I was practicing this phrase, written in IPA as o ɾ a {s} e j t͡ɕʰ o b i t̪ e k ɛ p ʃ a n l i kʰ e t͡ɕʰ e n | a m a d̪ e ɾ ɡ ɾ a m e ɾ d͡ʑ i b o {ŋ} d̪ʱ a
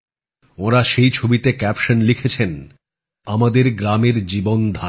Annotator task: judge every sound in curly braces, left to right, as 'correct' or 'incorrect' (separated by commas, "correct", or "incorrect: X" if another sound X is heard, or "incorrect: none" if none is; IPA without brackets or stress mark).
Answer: incorrect: ʃ, incorrect: n